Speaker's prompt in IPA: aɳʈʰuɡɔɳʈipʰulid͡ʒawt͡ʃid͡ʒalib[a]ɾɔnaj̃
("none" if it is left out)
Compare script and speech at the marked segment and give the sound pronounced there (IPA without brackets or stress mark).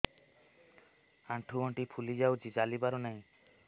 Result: a